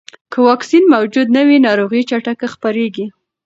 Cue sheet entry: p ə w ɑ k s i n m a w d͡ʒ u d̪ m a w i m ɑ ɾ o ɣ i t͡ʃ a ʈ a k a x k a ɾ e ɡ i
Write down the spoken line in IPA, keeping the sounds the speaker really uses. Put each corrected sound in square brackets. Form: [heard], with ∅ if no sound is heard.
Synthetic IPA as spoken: [k] ə w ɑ k s i n m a w d͡ʒ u d̪ [n] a w i [n] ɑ ɾ o ɣ i t͡ʃ a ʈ a k a x [p] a ɾ e ɡ i